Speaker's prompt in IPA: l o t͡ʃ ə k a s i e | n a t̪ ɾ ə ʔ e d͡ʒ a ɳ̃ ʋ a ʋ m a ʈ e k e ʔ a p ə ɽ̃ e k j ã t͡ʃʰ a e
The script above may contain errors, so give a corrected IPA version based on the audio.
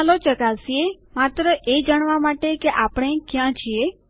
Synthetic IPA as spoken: l o t͡ʃ ə k a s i e | m a t̪ ɾ ə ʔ e d͡ʒ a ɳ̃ ʋ a m a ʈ e k e ʔ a p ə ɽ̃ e k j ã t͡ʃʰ i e